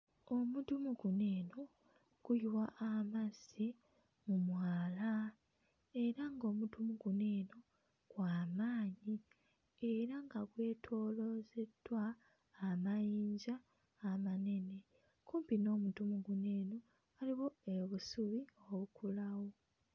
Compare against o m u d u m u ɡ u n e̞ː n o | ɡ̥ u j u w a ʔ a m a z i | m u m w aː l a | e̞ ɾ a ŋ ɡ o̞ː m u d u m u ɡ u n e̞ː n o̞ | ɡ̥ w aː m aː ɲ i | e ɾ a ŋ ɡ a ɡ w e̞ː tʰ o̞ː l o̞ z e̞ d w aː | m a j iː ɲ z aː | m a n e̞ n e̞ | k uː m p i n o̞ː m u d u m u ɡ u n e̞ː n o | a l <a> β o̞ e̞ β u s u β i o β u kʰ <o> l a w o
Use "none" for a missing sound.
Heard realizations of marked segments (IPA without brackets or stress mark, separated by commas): i, u